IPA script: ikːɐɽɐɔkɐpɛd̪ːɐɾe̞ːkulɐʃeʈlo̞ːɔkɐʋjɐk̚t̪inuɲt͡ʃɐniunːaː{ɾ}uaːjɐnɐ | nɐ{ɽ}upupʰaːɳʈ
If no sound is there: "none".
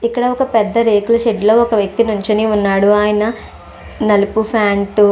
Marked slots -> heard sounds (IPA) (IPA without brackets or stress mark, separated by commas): ɽ, l